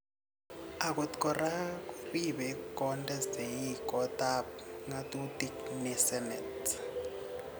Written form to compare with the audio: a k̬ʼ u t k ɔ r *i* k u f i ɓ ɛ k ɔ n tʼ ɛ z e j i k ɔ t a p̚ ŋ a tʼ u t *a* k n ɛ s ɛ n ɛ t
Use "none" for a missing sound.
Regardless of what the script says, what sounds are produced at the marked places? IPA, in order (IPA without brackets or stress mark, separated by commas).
a, i